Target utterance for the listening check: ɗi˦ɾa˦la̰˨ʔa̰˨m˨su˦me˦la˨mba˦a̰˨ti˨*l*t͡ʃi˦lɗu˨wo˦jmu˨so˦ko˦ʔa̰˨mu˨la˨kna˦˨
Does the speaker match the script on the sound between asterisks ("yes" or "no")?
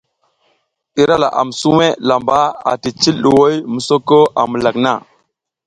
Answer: no